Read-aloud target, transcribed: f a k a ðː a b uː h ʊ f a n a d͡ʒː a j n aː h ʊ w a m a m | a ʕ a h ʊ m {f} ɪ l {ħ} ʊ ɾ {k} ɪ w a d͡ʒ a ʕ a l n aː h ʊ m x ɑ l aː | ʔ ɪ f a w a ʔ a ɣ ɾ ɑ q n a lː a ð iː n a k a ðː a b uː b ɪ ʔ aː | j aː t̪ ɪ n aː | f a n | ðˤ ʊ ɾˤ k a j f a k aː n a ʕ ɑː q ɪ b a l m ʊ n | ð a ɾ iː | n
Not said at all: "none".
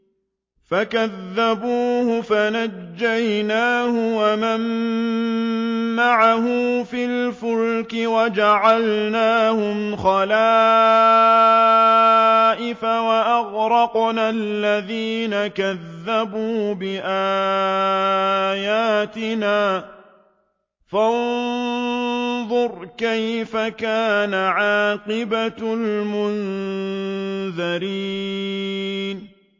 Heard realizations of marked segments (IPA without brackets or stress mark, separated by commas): f, f, k